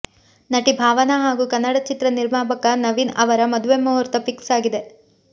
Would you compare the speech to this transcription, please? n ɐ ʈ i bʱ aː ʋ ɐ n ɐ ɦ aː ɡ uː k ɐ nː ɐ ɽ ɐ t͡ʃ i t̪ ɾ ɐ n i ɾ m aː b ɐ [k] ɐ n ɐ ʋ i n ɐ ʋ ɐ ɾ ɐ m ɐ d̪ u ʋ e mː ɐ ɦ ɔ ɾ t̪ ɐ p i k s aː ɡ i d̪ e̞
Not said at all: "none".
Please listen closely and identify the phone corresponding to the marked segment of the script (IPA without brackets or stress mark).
k